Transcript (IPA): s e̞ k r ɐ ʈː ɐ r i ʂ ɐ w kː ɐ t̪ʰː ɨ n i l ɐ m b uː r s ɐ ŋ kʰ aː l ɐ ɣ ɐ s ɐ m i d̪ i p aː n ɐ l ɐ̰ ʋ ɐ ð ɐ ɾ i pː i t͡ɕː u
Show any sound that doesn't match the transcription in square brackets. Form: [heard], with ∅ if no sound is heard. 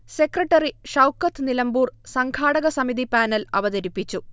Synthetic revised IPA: s e̞ k r ɐ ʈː ɐ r i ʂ ɐ w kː ɐ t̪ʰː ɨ n i l ɐ m b uː r s ɐ ŋ kʰ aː [ɽ] ɐ ɣ ɐ s ɐ m i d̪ i p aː n ɐ l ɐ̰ ʋ ɐ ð ɐ ɾ i pː i t͡ɕː u